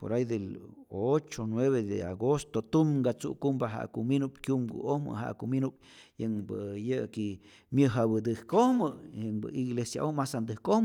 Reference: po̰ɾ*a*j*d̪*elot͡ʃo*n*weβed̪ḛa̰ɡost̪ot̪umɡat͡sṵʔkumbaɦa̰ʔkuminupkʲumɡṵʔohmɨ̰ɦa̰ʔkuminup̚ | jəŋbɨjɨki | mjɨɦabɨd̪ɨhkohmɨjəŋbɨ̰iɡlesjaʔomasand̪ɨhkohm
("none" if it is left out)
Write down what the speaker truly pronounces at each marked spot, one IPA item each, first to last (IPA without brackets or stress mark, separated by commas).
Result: a, d̪, n